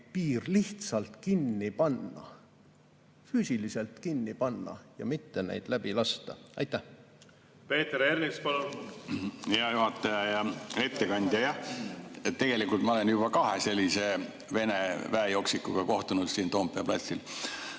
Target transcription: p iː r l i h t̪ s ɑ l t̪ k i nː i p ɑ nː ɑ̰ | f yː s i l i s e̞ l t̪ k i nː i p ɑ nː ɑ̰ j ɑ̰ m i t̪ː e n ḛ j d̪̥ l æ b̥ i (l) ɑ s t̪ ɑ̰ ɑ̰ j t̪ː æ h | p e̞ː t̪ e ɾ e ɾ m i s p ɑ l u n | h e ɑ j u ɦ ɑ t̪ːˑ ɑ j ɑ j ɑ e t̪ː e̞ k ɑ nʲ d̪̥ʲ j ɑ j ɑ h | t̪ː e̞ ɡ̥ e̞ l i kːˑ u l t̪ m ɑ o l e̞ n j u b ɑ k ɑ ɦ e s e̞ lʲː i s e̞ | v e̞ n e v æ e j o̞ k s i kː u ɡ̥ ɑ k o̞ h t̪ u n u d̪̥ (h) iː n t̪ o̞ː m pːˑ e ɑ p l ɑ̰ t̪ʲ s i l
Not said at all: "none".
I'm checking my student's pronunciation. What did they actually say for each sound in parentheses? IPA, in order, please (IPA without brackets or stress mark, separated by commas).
l, s